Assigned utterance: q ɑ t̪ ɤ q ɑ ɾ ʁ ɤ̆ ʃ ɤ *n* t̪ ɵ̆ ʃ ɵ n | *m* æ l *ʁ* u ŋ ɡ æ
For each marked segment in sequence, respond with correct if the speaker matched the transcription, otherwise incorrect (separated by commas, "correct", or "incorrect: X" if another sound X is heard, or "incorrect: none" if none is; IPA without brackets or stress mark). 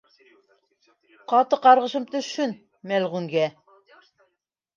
incorrect: m, correct, correct